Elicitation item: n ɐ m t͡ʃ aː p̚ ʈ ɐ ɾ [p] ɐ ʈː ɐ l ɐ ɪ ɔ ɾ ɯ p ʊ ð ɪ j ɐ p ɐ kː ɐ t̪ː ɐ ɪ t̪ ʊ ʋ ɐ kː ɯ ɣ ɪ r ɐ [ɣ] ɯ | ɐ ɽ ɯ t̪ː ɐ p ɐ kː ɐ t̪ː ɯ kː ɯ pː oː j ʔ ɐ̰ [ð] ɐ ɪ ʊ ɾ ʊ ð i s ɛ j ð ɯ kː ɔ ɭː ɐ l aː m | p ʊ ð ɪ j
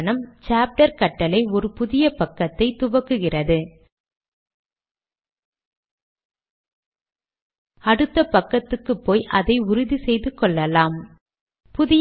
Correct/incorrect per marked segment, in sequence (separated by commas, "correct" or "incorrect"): incorrect, incorrect, correct